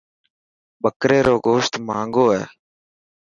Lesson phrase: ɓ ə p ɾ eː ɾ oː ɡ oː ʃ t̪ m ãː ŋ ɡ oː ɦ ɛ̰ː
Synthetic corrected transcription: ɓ ə k ɾ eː ɾ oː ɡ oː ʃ t̪ m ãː ŋ ɡ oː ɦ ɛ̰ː

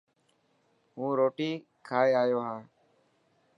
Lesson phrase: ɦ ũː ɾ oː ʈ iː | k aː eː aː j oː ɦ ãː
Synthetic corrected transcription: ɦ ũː ɾ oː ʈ iː | kʰ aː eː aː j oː ɦ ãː

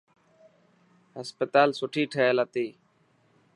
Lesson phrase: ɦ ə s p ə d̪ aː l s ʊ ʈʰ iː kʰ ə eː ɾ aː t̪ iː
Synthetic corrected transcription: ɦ ə s p ə t̪ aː l s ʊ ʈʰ iː ʈʰ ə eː l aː t̪ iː

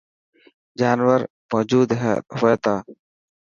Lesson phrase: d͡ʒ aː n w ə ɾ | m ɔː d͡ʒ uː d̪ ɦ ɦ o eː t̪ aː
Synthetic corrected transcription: d͡ʒ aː n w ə ɾ | m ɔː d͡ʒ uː d̪ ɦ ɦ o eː t̪ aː

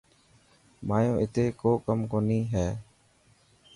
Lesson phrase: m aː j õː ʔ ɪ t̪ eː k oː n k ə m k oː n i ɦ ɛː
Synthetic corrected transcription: m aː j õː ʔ ɪ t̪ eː k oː k ə m k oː n iː ɦ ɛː

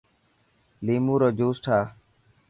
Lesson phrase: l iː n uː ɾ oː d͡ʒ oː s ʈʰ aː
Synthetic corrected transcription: l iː m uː ɾ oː d͡ʒ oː s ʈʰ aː

